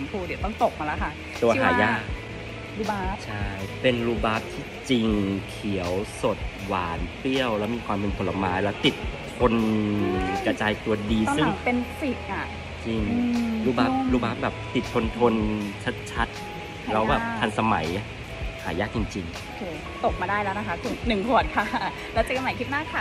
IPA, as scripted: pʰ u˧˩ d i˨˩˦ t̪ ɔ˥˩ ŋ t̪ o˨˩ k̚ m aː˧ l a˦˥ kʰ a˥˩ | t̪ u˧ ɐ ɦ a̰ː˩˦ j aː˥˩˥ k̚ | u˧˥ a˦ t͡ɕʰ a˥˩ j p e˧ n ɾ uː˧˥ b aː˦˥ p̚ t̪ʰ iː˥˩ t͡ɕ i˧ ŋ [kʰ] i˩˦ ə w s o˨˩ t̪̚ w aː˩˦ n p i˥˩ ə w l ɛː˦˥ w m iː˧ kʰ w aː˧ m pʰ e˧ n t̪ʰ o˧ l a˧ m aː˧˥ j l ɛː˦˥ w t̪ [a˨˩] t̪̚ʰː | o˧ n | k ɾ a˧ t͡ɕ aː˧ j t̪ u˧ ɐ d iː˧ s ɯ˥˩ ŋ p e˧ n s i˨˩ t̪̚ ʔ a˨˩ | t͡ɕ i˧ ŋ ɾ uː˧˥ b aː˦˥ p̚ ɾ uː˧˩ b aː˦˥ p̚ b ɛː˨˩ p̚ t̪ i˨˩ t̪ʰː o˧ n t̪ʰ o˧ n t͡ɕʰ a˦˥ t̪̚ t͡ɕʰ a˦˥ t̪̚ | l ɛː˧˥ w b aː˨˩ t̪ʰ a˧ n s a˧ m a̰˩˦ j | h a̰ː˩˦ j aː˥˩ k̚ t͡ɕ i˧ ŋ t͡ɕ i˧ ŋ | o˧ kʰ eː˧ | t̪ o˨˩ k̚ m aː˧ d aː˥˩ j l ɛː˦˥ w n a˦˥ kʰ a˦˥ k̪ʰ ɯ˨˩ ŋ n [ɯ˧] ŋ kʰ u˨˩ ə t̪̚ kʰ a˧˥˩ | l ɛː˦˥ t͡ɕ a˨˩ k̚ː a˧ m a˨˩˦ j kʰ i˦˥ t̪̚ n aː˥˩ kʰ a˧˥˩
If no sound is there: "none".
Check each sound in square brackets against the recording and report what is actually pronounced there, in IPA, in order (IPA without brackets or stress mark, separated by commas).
kʰ, i˨˩, ɯ˨˩